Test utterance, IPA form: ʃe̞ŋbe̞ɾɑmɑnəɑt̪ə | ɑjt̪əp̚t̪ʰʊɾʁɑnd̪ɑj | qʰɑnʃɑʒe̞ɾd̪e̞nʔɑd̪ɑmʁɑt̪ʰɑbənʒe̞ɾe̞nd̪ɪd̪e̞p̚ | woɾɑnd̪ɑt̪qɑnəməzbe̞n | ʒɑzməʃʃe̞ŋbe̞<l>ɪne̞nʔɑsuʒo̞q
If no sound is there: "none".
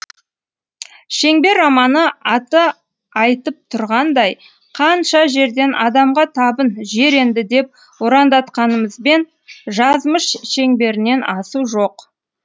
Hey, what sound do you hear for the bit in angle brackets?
ɾ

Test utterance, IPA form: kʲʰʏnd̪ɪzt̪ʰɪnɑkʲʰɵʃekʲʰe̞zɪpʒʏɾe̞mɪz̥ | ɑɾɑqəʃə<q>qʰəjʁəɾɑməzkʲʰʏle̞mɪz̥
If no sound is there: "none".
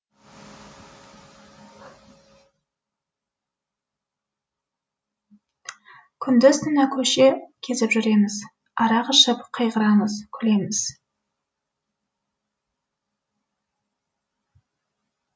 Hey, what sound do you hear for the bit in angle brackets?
p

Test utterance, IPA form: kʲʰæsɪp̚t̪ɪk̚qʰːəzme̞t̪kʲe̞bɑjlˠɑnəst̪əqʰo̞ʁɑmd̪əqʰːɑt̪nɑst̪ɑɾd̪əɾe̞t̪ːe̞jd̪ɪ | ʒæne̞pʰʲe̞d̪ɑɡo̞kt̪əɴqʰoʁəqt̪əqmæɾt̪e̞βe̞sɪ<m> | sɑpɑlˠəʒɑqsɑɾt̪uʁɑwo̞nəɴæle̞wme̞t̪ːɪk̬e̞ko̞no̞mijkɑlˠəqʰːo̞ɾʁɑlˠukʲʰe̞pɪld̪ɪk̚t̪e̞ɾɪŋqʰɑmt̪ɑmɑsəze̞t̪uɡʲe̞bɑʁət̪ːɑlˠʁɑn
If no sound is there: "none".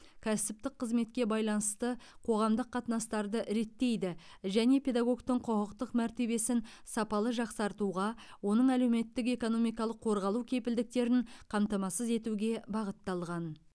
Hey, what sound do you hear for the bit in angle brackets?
n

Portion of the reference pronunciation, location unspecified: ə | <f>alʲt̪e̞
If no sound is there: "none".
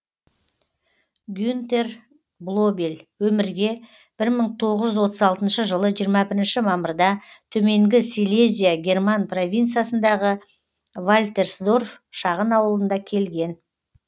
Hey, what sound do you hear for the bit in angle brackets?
v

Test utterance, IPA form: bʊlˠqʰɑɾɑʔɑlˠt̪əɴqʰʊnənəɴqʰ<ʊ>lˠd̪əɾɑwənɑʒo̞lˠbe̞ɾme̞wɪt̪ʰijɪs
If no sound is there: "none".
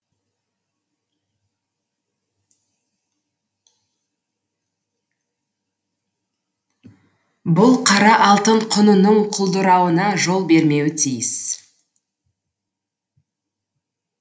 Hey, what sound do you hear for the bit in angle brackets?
ʊ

